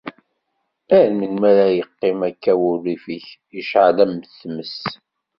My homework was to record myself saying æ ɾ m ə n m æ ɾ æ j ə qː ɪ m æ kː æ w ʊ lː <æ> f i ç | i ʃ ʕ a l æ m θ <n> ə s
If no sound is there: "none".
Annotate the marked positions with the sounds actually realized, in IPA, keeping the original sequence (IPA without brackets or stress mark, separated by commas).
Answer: i, m